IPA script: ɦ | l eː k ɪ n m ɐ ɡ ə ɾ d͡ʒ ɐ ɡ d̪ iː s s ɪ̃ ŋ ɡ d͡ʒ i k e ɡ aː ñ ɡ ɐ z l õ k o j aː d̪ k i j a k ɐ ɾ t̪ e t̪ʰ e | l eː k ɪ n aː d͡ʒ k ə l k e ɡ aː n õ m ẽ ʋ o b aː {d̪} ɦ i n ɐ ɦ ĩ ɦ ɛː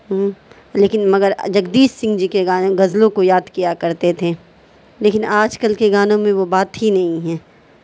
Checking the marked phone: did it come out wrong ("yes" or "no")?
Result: yes